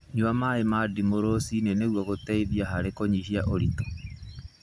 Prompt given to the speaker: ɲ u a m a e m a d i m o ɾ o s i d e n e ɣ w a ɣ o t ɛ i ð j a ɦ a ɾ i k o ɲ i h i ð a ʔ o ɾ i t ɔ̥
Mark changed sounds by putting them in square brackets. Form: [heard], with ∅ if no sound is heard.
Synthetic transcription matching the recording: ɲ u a m a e m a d i m o ɾ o s i [n] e n e ɣ w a ɣ o t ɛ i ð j a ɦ a ɾ [e] k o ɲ i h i [∅] a ʔ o ɾ i t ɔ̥

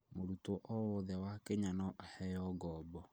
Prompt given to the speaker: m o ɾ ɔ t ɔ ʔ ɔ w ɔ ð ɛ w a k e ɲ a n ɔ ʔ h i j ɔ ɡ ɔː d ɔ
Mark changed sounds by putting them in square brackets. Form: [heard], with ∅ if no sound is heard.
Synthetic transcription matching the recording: m o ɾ [u] t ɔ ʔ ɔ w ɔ ð ɛ w a k e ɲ a n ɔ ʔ h [ɛ] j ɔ ɡ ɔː [b] ɔ

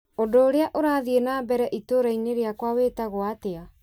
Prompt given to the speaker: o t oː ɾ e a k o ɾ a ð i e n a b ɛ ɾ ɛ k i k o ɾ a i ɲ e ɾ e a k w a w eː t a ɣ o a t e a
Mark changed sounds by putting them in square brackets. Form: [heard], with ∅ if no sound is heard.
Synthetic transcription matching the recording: o [d] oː ɾ e a [ʔ] o ɾ a ð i e n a b ɛ ɾ ɛ [ʔ] i [t] o ɾ a i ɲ e ɾ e a k w a w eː t a ɣ o a t e a

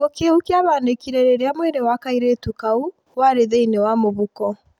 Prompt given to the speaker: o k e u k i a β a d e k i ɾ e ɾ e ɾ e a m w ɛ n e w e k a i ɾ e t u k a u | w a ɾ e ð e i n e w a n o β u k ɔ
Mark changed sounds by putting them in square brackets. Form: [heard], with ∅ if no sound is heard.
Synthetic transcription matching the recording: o k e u k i a β a [n] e k i ɾ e ɾ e ɾ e a m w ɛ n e w [a] k a i ɾ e t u k a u | w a ɾ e ð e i n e w a [m] o β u k ɔ

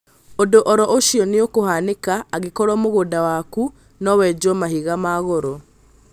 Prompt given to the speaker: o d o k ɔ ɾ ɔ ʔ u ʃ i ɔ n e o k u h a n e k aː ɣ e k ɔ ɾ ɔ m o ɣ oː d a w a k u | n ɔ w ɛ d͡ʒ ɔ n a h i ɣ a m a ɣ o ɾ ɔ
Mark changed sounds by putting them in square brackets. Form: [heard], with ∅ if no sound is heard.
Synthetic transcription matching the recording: o d o [ʔ] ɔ ɾ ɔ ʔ [o] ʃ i ɔ n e o k [o] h a n e k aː ɣ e k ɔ ɾ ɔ m o ɣ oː d a w a k u | n ɔ w ɛ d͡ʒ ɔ [m] a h i ɣ a m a ɣ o ɾ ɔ

